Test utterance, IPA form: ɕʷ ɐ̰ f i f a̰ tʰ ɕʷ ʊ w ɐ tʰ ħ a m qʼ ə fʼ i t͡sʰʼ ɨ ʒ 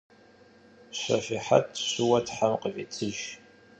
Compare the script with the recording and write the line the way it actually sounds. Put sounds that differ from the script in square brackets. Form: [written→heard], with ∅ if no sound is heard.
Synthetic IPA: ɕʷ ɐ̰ f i [f→ħ] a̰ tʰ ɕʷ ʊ w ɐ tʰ ħ a m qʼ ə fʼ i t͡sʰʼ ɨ ʒ

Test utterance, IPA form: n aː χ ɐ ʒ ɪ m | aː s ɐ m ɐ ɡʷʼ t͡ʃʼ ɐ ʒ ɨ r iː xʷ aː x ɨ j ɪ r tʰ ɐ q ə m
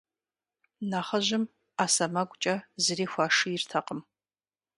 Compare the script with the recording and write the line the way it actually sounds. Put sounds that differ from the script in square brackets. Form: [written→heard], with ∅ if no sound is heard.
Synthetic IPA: n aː χ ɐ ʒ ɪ m | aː s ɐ m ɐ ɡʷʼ t͡ʃʼ ɐ [ʒ→z] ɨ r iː xʷ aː [x→ʂ] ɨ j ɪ r tʰ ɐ q ə m

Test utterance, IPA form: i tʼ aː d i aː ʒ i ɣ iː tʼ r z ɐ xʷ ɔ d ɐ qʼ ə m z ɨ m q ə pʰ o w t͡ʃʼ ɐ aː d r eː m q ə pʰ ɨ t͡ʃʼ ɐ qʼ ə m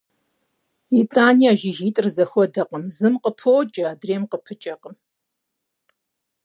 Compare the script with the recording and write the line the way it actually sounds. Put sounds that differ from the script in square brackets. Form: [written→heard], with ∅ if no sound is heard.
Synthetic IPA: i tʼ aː [d→n] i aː ʒ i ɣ iː tʼ r z ɐ xʷ ɔ d ɐ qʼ ə m z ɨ m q ə pʰ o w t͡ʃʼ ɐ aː d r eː m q ə pʰ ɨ t͡ʃʼ ɐ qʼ ə m

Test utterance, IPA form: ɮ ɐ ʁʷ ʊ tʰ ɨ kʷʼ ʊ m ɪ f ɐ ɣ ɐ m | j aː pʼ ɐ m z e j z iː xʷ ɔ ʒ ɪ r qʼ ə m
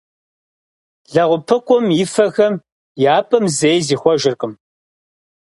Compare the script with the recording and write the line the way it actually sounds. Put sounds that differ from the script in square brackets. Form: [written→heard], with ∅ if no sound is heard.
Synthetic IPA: ɮ ɐ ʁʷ ʊ [tʰ→pʰ] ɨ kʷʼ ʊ m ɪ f ɐ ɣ ɐ m | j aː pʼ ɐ m z e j z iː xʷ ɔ ʒ ɪ r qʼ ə m

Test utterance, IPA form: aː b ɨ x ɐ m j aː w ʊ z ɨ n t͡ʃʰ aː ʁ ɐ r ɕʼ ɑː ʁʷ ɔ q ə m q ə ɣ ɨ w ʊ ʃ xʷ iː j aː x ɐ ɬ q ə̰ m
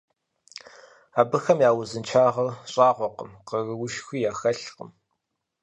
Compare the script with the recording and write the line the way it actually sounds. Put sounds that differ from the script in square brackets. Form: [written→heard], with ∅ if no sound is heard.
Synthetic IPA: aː b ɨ x ɐ m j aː w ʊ z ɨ n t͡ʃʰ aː ʁ ɐ r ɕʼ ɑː ʁʷ ɔ q ə m q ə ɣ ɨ w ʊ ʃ xʷ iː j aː x ɐ ɬ q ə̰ m

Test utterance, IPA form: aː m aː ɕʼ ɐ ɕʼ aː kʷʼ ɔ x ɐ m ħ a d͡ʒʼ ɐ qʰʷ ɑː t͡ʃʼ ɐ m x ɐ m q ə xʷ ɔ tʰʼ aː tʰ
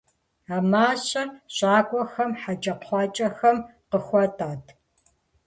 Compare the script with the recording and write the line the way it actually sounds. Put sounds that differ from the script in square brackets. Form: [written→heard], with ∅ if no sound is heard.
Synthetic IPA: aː m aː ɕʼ ɐ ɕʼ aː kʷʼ ɔ x ɐ m ħ a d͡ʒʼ ɐ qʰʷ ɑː t͡ʃʼ ɐ [m→∅] x ɐ m q ə xʷ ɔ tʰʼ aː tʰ

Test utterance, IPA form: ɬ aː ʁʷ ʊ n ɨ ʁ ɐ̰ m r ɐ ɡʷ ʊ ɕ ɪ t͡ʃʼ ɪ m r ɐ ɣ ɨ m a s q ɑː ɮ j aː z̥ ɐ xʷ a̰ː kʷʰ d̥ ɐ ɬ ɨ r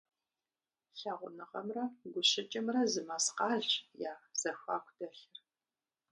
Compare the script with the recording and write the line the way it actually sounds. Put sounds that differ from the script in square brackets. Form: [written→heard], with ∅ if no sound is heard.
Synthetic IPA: ɬ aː ʁʷ ʊ n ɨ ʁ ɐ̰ m r ɐ ɡʷ ʊ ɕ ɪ t͡ʃʼ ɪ m r ɐ [ɣ→z] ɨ m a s q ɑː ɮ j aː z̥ ɐ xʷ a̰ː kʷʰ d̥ ɐ ɬ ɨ r

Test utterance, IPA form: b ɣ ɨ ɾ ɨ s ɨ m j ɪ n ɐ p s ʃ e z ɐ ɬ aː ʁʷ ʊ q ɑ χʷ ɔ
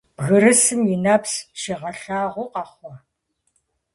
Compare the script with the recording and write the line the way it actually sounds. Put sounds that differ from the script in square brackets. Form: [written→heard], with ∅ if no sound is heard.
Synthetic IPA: b ɣ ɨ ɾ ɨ s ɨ m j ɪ n ɐ p s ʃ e [z→ʁ] ɐ ɬ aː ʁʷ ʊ q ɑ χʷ ɔ

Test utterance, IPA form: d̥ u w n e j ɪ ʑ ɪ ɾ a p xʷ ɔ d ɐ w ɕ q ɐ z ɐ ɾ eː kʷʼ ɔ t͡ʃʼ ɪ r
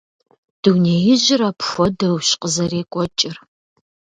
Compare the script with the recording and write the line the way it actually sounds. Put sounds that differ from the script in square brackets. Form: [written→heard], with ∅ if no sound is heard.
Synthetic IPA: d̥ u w n e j ɪ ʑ ɪ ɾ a p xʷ ɔ d ɐ w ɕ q [ɐ→ə] z ɐ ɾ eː kʷʼ ɔ t͡ʃʼ ɪ r

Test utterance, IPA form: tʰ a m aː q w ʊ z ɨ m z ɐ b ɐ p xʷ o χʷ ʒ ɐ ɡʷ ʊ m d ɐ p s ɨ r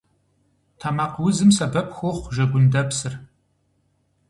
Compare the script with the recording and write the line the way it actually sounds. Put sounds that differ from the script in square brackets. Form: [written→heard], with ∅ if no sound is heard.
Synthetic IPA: tʰ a m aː q w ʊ z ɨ m [z→s] ɐ b ɐ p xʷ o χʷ ʒ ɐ ɡʷ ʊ [m→n] d ɐ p s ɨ r

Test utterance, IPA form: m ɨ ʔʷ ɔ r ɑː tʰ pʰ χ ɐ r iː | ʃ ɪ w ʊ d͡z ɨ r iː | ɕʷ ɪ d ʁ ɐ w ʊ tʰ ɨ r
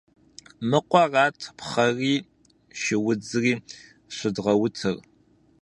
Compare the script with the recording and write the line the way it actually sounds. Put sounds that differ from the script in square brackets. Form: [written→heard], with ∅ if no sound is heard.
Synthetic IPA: m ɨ [ʔʷ→qʷ] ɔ r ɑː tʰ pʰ χ ɐ r iː | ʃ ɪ w ʊ d͡z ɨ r iː | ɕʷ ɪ d ʁ ɐ w ʊ tʰ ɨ r

